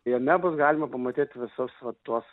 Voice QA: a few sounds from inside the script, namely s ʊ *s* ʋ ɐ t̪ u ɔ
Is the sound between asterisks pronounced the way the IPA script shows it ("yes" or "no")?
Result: yes